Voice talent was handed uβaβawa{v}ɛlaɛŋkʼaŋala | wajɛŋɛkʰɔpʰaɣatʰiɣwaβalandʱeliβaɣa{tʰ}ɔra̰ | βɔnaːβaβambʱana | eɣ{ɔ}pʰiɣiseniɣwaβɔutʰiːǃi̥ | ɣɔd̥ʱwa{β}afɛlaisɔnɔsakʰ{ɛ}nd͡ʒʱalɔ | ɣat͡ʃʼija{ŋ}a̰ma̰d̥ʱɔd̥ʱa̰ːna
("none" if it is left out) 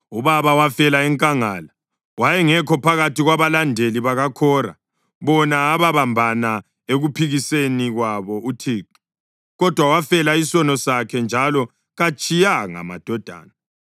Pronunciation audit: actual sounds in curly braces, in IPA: f, kʰ, u, w, ɛ, ŋ

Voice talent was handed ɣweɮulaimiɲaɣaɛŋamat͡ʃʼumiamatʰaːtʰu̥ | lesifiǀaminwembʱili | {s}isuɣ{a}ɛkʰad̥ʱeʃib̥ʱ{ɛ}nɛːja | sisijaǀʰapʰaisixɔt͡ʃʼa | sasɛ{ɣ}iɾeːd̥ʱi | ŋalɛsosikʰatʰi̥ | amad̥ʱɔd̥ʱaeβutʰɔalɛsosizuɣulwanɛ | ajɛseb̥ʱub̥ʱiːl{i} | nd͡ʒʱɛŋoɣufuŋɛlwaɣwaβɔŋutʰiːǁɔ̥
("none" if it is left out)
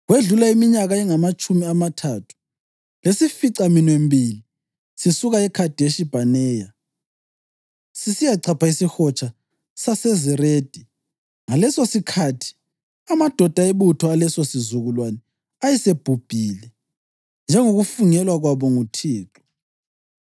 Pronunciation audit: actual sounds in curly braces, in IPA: s, a, a, z, ɛ

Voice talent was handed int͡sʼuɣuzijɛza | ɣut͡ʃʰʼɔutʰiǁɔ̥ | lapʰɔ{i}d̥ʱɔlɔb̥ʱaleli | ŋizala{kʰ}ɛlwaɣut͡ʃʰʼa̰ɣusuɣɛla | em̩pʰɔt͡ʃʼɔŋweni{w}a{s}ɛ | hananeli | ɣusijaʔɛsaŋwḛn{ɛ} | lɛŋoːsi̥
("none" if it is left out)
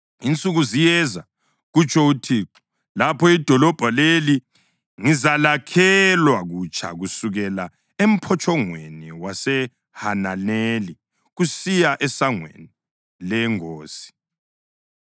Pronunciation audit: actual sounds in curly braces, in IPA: i, kʰ, w, s, i

